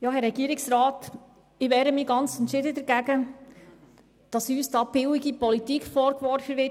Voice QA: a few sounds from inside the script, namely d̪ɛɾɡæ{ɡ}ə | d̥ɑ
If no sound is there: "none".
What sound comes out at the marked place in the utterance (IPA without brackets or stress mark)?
ɡ